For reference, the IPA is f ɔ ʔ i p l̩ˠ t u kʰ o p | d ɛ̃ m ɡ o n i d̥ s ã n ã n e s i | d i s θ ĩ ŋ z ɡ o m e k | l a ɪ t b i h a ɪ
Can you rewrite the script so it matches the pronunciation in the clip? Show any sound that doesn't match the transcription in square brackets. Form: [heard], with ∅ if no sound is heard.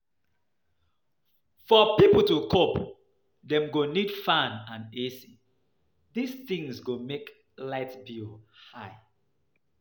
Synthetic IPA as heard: f ɔ [p] i p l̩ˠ t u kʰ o p | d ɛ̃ m ɡ o n i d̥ [f] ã n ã n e s i | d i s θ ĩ ŋ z ɡ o m e k | l a ɪ t b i h a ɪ